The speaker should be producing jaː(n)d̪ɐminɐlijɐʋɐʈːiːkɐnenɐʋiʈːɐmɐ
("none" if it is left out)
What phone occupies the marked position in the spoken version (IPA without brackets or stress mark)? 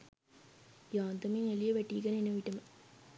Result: n